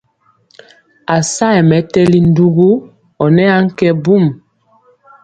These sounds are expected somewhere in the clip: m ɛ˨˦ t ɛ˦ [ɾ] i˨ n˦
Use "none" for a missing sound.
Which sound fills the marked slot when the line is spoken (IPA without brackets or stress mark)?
l